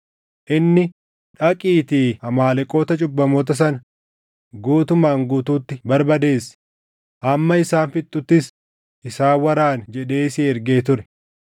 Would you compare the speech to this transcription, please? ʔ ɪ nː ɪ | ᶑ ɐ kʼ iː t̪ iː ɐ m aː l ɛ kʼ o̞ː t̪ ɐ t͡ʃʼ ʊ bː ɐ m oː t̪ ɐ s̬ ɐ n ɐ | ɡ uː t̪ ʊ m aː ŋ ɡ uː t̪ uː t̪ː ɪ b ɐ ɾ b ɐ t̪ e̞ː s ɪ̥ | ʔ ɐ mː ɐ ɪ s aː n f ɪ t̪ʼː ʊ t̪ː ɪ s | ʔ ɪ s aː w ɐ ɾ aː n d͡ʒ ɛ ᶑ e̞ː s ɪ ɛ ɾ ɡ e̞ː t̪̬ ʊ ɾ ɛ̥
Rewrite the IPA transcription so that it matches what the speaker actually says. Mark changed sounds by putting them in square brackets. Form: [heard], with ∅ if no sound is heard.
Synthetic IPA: ʔ ɪ nː ɪ | ᶑ ɐ kʼ iː t̪ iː ɐ m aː l ɛ kʼ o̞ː t̪ ɐ t͡ʃʼ ʊ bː ɐ m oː t̪ ɐ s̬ ɐ n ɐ | ɡ uː t̪ ʊ m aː ŋ ɡ uː t̪ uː t̪ː ɪ b ɐ ɾ b ɐ [d̪] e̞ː s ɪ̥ | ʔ ɐ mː ɐ ɪ s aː n f ɪ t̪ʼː ʊ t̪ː ɪ s | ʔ ɪ s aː w ɐ ɾ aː n d͡ʒ ɛ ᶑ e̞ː s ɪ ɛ ɾ ɡ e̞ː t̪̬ ʊ ɾ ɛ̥